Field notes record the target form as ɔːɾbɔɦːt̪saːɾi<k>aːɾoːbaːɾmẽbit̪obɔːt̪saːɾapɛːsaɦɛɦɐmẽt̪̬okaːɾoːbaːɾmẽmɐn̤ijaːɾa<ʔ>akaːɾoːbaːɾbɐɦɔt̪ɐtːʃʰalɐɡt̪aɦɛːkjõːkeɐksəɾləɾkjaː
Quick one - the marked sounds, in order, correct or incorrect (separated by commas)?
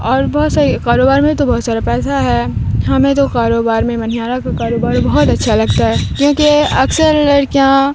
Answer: correct, incorrect